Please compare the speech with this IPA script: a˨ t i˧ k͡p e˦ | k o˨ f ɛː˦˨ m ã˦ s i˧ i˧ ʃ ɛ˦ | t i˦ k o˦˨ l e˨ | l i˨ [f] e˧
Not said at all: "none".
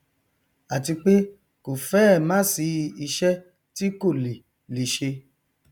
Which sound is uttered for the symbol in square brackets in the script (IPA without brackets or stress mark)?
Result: ʃ